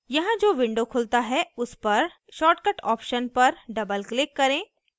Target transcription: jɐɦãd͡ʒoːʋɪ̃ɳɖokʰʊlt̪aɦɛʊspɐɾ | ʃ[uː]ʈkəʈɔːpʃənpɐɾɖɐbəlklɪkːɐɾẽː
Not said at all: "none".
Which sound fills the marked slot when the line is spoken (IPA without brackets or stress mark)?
ɔː